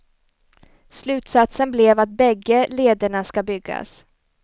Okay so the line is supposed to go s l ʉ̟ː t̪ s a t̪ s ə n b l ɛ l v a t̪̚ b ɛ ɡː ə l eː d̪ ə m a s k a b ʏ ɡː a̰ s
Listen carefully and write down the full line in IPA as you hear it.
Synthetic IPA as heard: s l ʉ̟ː t̪ s a t̪ s ə n b l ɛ v a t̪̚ b ɛ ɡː ə l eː d̪ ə ɳ a s k a b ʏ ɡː a̰ s